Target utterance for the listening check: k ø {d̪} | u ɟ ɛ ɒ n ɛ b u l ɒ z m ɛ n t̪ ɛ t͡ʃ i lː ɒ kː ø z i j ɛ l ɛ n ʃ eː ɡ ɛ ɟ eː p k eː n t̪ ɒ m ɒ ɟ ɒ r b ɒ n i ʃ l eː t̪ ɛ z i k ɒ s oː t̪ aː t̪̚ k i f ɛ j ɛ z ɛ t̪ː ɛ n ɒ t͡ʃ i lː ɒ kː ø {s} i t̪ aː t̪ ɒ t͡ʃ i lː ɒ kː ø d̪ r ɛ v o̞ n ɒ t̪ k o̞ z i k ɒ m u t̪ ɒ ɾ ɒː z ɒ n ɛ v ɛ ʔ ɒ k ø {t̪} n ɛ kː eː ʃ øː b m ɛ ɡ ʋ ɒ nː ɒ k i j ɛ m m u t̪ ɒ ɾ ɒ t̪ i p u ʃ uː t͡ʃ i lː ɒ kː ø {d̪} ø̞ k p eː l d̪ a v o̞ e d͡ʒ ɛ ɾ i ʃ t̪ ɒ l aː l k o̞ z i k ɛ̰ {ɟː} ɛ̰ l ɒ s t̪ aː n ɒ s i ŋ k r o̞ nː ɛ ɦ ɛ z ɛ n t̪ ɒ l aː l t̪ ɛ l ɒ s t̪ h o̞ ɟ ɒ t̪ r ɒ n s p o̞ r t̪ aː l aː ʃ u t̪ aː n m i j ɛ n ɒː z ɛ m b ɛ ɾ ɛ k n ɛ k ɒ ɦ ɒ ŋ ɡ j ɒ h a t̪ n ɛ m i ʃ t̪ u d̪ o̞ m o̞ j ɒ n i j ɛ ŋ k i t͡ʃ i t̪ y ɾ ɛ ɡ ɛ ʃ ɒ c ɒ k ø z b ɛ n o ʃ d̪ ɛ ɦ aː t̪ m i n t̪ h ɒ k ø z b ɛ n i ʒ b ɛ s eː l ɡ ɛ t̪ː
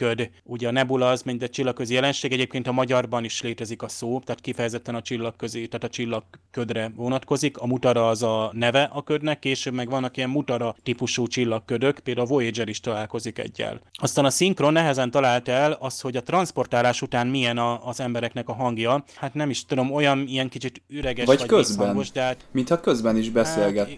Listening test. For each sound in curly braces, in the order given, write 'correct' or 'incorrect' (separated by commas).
correct, incorrect, incorrect, correct, correct